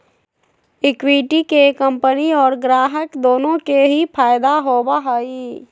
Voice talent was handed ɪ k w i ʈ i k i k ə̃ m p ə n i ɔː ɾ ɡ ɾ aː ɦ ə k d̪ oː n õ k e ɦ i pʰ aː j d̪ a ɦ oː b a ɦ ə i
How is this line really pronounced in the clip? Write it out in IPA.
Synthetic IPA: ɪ k w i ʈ i k e k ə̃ m p ə n i ɔː ɾ ɡ ɾ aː ɦ ə k d̪ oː n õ k e ɦ i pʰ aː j d̪ a ɦ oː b a ɦ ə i